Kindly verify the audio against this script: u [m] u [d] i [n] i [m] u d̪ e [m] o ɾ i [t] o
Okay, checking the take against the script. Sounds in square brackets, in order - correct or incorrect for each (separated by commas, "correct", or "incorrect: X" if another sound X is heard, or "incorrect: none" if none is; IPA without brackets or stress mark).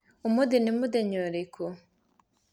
correct, correct, correct, correct, incorrect: ɲ, incorrect: k